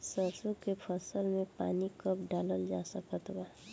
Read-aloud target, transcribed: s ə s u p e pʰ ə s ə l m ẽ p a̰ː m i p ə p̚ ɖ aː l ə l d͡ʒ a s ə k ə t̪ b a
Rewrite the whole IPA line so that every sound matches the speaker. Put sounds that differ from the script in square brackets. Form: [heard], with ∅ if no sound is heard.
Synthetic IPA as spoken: s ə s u [k] e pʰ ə s ə l m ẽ p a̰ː [n] i [k] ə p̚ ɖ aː l ə l d͡ʒ a s ə k ə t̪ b a